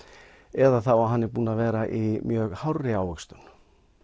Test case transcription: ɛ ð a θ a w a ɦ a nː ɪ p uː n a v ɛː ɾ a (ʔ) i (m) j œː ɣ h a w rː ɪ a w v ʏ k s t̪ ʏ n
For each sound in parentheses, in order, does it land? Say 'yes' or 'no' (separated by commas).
yes, yes